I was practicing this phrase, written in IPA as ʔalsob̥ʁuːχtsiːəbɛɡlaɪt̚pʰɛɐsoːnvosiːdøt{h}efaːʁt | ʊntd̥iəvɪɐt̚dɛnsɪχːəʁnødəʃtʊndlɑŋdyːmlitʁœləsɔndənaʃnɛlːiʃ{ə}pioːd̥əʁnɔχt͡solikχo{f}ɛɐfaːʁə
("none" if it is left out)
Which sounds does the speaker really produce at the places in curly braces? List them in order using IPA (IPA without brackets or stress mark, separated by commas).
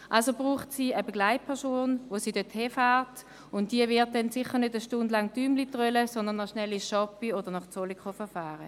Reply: h, ɑ, f